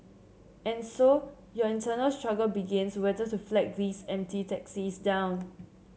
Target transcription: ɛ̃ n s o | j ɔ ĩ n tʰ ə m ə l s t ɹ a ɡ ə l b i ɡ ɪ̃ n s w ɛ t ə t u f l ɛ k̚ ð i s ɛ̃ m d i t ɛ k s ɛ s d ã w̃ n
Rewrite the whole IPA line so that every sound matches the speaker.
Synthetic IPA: ɛ̃ n s o | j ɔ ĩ n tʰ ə n ə l s t ɹ a ɡ ə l b i ɡ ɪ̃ n s w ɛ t ə t u f l ɛ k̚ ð i s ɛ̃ m t i t ɛ k s i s d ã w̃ n